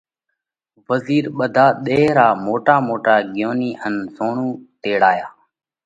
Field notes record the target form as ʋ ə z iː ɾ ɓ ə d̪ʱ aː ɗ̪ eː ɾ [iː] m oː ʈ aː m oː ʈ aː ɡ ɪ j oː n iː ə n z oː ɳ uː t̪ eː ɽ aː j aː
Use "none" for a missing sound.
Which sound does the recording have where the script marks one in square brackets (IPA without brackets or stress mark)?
aː